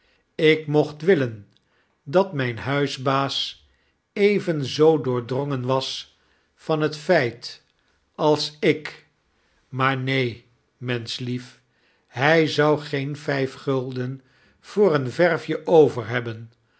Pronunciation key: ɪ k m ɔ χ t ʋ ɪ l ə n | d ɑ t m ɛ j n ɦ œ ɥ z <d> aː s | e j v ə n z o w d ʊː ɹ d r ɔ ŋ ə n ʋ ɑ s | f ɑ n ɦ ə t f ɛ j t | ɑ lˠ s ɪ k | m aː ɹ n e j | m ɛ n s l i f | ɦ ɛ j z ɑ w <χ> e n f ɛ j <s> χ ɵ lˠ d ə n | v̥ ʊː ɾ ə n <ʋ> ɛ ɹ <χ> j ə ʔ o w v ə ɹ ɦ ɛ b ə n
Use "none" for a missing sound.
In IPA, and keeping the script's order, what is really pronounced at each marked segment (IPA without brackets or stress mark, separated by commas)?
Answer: b, χ, f, v, f